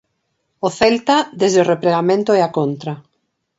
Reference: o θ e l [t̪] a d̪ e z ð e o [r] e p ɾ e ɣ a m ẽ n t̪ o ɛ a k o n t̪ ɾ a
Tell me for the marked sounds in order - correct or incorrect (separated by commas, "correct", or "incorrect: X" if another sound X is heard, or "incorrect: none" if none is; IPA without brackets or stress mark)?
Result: correct, correct